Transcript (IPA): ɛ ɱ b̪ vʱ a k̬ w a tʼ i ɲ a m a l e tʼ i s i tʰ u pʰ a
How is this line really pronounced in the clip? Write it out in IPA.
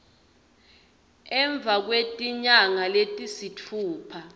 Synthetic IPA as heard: ɛ ɱ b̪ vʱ a k̬ w e tʼ i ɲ a ŋ a l e tʼ i s i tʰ uː pʰ a